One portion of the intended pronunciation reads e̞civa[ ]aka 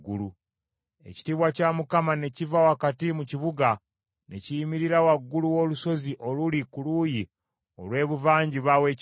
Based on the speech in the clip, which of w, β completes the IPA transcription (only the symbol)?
w